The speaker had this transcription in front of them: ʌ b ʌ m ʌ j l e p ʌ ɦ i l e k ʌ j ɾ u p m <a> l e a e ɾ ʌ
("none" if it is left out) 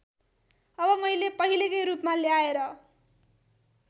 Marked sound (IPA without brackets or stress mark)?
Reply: a